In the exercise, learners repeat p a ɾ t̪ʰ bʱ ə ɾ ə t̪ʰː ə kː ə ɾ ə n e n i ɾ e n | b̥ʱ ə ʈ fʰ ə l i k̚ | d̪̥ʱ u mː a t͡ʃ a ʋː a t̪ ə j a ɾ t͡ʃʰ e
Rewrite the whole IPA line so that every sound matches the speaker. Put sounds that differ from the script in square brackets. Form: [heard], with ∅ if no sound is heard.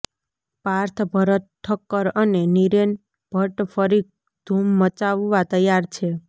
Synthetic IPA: p a ɾ t̪ʰ bʱ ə ɾ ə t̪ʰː ə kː ə ɾ ə n e n i ɾ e n | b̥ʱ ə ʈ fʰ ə [ɾ] i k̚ | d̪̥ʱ u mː [ə] t͡ʃ a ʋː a t̪ ə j a ɾ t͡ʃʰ e